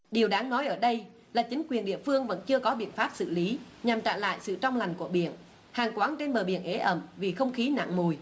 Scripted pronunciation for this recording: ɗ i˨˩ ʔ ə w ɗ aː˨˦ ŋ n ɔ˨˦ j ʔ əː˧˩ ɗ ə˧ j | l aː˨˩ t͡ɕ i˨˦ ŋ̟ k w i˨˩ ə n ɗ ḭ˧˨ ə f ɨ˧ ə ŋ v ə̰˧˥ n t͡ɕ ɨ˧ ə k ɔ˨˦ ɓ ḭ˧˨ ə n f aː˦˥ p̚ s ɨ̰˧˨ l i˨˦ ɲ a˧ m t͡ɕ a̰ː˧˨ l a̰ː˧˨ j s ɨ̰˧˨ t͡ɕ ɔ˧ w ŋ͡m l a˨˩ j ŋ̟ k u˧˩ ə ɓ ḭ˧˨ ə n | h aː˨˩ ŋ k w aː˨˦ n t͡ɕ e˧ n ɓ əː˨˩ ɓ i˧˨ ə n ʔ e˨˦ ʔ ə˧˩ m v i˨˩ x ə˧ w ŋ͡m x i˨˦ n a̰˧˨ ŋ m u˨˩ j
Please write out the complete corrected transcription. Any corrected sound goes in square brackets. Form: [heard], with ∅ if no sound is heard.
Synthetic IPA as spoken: ɗ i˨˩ [∅] ə w ɗ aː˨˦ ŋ n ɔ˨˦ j ʔ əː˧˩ ɗ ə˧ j | l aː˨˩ t͡ɕ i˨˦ ŋ̟ k w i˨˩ ə n ɗ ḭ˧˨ ə f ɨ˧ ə ŋ v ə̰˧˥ n t͡ɕ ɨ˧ ə k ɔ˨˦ ɓ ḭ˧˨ ə n f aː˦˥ p̚ s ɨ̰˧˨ l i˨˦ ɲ [a˨˩] m t͡ɕ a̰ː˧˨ l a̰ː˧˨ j s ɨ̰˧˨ t͡ɕ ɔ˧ w ŋ͡m l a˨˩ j ŋ̟ k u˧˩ ə ɓ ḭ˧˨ ə n | h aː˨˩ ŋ k w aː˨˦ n t͡ɕ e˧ n ɓ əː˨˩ ɓ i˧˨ ə n ʔ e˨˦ ʔ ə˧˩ m v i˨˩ x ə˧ w ŋ͡m x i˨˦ n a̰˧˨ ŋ m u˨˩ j